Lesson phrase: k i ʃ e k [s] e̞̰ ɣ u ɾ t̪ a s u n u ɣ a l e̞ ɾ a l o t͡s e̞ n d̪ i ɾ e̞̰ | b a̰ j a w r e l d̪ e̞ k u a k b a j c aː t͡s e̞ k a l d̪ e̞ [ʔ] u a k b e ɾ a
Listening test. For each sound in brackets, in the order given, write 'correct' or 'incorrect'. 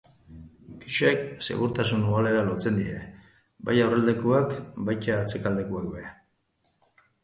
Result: correct, incorrect: k

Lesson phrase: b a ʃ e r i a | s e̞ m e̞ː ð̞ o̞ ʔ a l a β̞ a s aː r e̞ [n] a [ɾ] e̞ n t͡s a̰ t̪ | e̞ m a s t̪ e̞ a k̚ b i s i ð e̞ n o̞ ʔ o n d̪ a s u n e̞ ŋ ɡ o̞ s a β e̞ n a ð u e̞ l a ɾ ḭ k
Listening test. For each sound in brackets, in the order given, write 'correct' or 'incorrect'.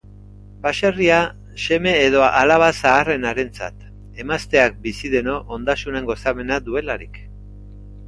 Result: correct, correct

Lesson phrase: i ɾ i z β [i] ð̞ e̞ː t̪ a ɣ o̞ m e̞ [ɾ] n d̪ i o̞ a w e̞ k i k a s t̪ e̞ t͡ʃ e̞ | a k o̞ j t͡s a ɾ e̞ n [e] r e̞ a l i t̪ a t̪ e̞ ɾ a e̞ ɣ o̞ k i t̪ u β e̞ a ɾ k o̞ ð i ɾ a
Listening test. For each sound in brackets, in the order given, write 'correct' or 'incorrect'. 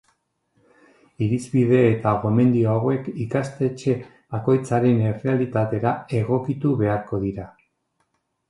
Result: correct, incorrect: none, correct

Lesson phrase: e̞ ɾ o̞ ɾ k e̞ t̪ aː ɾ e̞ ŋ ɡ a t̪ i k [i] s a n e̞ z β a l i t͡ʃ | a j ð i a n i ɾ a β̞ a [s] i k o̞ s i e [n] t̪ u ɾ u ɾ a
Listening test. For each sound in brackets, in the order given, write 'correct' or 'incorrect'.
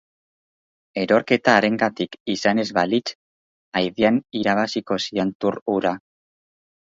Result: correct, correct, correct

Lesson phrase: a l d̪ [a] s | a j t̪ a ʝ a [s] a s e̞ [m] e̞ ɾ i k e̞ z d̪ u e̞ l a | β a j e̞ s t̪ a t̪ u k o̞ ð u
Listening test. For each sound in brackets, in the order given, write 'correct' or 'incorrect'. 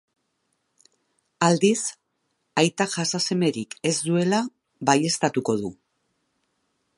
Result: incorrect: i, correct, correct

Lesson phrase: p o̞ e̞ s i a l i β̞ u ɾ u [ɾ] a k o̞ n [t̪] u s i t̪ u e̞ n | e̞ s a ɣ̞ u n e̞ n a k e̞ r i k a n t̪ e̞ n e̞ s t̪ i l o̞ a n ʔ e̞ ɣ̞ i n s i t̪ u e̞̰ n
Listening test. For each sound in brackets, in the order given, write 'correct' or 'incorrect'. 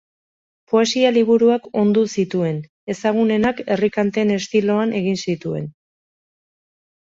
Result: incorrect: none, incorrect: d̪

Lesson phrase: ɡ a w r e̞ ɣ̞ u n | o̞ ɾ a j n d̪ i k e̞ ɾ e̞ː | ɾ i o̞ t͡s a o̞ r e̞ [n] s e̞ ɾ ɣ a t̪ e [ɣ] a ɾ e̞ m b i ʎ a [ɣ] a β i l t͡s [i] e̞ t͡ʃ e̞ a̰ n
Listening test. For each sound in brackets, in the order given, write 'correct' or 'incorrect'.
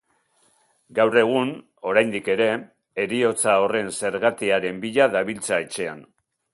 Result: correct, incorrect: none, incorrect: ð, incorrect: a

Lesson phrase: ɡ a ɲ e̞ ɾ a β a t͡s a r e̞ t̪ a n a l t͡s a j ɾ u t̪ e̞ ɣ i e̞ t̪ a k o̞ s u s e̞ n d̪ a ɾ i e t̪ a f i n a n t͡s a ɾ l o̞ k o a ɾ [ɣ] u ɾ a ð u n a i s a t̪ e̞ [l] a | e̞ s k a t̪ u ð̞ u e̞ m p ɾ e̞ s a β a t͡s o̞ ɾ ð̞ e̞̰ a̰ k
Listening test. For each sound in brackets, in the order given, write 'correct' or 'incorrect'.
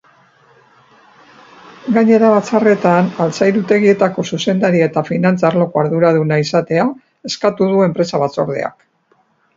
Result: incorrect: ð, incorrect: none

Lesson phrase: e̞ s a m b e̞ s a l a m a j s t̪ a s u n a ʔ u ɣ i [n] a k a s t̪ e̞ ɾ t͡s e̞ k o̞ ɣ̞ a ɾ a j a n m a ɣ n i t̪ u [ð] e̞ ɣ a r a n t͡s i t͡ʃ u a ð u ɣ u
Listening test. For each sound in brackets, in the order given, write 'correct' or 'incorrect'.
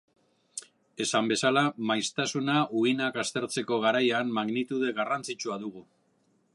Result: correct, correct

